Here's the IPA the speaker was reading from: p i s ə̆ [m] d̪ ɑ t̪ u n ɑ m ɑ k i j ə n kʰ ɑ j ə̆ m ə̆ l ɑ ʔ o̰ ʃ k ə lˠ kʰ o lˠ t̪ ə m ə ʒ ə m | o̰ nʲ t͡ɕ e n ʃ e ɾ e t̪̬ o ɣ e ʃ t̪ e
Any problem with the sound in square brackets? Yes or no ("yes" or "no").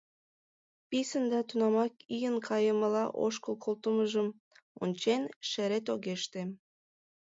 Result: yes